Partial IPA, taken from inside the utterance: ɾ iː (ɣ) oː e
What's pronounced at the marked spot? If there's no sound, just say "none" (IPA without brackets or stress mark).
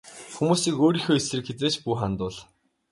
x